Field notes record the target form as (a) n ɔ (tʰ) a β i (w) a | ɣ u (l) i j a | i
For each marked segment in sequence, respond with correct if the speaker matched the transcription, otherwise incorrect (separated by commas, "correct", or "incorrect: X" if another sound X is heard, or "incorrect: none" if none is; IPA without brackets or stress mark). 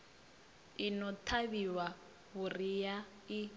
incorrect: i, correct, correct, incorrect: r